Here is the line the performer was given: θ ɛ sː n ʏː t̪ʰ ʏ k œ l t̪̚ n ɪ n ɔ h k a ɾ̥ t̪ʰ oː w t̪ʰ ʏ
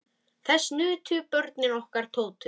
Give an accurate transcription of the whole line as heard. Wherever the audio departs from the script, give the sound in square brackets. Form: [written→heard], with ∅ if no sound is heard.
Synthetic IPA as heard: θ ɛ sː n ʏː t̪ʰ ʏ [k→p] œ [l→ɾ] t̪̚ n ɪ n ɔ h k a ɾ̥ t̪ʰ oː w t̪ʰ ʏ